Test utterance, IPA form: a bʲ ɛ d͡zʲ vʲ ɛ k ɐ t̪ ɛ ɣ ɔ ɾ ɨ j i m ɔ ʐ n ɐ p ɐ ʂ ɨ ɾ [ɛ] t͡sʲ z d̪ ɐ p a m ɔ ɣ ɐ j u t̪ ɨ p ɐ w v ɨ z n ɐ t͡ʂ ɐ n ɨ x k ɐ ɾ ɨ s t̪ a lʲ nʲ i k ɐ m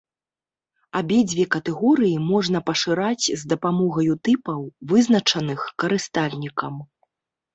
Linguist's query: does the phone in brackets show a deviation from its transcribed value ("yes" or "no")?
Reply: yes